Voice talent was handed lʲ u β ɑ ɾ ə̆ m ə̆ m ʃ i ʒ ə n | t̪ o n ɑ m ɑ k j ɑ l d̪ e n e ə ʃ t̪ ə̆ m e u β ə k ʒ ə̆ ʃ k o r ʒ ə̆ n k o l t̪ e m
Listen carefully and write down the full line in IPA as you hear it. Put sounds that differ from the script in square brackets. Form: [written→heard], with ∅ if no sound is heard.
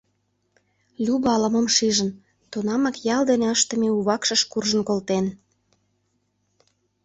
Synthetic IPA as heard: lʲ u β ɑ [ɾ→l] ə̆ m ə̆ m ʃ i ʒ ə n | t̪ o n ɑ m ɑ k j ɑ l d̪ e n e ə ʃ t̪ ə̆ m e u β [ə→ɑ] k [ʒ→ʃ] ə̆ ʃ k [o→u] r ʒ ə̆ n k o l t̪ e [m→n]